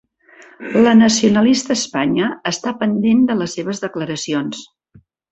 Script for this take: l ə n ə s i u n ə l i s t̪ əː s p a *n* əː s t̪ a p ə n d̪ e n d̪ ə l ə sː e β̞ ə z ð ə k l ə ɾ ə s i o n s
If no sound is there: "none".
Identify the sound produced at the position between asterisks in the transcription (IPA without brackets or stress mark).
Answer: ɲ